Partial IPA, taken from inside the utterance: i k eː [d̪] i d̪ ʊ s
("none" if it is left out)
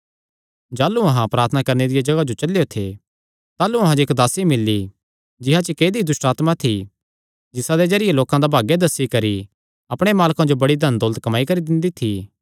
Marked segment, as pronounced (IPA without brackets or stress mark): d̪